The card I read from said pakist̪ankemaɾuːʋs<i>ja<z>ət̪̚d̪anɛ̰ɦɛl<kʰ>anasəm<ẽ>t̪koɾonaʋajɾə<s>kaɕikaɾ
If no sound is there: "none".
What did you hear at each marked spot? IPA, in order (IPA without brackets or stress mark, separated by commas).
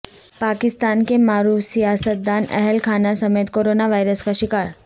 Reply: i, s, kʰ, e, s